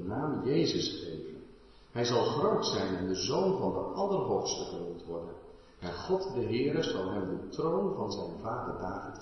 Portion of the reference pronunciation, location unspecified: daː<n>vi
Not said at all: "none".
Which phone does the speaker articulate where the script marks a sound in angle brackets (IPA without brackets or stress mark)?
none